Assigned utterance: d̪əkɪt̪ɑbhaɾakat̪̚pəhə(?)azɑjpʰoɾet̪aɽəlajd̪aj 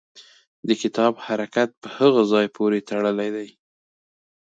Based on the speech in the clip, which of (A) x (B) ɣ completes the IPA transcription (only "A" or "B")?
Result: B